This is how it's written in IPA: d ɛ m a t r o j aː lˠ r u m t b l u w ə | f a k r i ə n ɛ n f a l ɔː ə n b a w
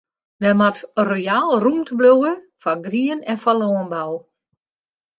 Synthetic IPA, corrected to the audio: d ɛ m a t r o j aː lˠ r u m t b l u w ə | f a ɡ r i ə n ɛ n f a l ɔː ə n b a w